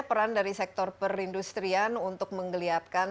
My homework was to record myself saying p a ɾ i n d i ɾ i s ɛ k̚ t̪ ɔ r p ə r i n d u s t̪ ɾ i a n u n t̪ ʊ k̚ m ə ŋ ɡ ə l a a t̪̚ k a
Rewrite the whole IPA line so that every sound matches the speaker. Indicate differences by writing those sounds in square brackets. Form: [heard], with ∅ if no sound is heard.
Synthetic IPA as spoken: p [ə] ɾ [a] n d [a] ɾ i s ɛ k̚ t̪ ɔ r p ə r i n d u s t̪ ɾ i a n u n t̪ ʊ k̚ m ə ŋ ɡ ə l [i] a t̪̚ k a